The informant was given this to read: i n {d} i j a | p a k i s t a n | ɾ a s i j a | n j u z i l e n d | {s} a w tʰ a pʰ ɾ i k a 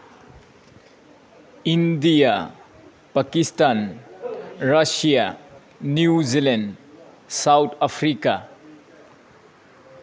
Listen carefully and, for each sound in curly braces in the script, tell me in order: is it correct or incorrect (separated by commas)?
correct, correct